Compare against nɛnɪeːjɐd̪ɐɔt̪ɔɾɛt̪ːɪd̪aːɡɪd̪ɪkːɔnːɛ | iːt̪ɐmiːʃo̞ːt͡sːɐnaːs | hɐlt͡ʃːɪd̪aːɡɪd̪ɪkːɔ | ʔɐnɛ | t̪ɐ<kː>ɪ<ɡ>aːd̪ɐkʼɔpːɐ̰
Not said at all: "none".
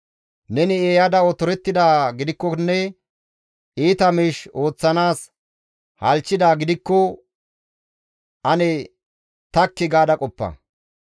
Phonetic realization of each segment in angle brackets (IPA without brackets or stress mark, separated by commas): kː, ɡ